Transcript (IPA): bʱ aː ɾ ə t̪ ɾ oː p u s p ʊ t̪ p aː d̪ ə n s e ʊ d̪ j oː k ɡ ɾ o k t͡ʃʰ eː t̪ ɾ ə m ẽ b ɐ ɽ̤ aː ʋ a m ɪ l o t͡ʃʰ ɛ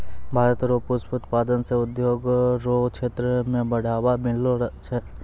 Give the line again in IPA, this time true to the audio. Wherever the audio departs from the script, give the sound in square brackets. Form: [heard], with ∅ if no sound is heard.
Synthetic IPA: bʱ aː ɾ ə t̪ ɾ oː p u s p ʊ t̪ p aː d̪ ə n s e ʊ d̪ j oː [∅] ɡ ɾ o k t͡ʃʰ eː t̪ ɾ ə m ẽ b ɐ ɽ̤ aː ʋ a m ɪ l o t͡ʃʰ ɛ